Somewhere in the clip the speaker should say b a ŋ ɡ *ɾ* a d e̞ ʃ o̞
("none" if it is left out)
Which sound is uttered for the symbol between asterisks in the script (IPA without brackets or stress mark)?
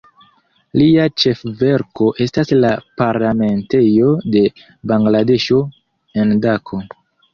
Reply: l